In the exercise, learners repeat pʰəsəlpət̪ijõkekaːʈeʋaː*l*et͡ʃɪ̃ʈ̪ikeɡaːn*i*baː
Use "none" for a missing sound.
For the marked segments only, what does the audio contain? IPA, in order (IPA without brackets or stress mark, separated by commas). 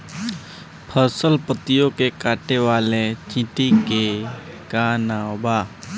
l, a